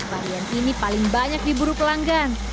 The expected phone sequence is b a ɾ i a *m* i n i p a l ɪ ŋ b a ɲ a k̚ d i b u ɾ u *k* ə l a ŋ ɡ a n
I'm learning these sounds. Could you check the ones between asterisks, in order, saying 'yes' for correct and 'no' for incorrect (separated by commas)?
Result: no, no